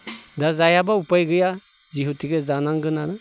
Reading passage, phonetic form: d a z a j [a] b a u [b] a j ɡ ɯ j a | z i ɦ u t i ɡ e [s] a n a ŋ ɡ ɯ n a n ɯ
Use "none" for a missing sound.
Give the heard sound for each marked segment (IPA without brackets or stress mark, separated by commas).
a, p, z